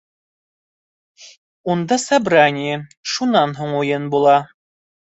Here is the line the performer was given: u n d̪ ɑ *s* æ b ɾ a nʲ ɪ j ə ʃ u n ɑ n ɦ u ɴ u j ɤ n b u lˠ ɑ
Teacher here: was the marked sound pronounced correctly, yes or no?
yes